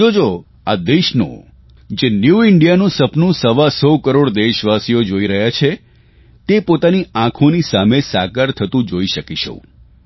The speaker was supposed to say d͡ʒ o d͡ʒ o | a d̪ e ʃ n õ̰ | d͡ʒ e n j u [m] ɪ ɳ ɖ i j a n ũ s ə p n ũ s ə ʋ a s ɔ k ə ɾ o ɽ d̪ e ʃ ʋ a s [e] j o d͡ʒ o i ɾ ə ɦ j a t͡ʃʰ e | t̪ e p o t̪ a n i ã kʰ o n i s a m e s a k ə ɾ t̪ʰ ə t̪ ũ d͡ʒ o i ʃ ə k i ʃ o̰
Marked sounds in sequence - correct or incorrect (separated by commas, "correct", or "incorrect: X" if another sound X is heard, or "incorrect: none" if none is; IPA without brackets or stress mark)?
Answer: incorrect: none, incorrect: i